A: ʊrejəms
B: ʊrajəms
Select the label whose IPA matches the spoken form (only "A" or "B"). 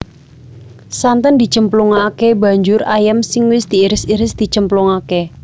B